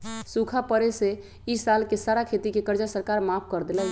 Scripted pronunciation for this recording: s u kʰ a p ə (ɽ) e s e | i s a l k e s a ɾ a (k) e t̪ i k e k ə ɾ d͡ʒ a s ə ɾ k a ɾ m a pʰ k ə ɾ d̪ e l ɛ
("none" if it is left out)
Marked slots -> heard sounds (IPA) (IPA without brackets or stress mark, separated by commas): ɾ, kʰ